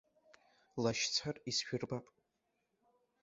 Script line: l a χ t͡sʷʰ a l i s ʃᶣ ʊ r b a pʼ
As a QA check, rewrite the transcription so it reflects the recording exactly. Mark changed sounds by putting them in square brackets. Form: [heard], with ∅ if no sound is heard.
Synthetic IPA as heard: l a [ʃ] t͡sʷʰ a [r] i s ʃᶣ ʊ r b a pʼ